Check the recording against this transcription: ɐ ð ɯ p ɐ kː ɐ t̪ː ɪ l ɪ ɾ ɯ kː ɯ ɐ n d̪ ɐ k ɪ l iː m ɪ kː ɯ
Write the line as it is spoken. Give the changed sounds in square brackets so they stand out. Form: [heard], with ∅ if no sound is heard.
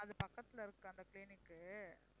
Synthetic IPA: ɐ ð ɯ p ɐ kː ɐ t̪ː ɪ l ɪ ɾ ɯ kː ɯ ɐ n d̪ ɐ k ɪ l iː [n] ɪ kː ɯ